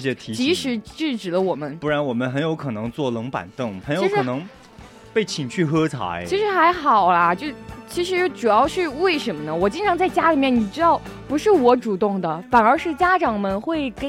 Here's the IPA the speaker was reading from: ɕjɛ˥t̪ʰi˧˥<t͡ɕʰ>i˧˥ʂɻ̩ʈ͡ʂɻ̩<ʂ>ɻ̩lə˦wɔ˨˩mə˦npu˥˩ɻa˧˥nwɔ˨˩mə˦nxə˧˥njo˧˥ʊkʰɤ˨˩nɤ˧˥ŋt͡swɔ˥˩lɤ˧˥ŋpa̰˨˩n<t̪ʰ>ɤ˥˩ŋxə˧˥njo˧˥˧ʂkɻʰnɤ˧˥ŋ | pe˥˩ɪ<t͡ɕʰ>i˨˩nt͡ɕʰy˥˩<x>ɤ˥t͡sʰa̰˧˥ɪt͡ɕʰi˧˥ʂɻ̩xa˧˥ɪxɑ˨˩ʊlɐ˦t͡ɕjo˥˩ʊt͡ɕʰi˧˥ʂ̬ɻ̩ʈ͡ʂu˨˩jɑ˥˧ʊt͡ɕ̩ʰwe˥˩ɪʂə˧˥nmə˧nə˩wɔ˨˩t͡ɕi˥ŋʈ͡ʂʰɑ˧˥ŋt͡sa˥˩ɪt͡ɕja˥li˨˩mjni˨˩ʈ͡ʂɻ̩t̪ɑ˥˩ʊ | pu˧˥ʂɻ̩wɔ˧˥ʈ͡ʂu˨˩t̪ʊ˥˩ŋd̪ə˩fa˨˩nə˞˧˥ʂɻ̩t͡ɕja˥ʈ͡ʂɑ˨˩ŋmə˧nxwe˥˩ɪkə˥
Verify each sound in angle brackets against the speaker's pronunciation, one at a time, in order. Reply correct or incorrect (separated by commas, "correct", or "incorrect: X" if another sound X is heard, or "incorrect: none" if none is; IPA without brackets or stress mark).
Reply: incorrect: t͡ɕ, incorrect: ʈ͡ʂ, incorrect: t̪, correct, correct